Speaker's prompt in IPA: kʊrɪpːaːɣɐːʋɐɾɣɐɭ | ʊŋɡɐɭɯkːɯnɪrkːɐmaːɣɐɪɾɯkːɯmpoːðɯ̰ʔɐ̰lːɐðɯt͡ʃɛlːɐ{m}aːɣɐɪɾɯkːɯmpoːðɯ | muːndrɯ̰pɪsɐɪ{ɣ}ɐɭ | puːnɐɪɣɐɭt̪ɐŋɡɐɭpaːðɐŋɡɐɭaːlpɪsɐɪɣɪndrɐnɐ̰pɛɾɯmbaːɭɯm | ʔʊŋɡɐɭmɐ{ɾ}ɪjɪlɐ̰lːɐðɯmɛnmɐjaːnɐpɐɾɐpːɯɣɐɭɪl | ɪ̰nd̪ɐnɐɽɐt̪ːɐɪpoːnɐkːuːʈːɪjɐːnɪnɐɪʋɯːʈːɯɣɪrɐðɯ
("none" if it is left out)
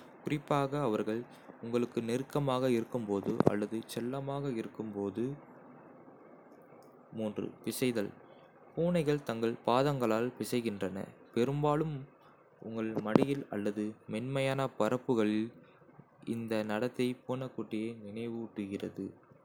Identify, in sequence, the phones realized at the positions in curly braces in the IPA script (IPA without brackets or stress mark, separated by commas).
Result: m, ð, ɽ